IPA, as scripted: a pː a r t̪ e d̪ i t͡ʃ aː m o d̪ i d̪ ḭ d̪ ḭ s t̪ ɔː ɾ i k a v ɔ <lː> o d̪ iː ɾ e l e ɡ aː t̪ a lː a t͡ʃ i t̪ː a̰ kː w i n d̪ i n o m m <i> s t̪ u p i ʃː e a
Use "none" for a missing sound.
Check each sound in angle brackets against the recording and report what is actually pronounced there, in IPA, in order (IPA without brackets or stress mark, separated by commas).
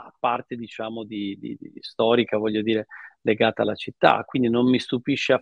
ʎː, i